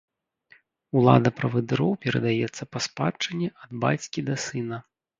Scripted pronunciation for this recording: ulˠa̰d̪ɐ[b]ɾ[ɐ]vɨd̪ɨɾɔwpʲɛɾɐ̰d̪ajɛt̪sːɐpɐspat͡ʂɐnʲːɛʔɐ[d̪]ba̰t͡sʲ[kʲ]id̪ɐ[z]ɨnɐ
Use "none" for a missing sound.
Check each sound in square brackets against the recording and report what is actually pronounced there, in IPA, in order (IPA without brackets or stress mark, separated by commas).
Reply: p, ɐ, d̪, kʲ, s